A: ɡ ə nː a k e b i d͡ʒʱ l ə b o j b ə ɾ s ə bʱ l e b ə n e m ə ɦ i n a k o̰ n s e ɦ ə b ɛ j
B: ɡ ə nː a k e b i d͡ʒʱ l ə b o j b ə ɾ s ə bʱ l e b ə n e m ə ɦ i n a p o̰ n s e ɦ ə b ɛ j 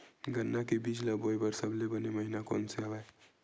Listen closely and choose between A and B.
A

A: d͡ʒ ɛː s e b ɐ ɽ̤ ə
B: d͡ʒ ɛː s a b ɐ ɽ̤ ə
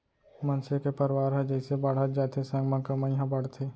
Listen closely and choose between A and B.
A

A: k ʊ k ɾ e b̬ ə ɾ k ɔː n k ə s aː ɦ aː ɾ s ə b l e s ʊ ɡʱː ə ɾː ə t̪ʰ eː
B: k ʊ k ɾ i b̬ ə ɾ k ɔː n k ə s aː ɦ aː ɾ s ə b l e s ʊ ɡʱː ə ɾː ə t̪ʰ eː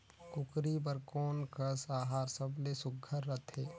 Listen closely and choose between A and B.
B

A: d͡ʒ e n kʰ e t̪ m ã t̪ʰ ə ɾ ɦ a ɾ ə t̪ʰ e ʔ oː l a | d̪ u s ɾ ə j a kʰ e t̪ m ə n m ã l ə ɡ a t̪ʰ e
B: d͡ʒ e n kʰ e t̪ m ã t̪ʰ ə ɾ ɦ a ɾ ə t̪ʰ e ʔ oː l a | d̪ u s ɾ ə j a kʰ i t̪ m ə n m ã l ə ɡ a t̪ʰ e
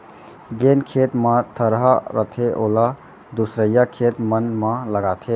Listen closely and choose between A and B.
A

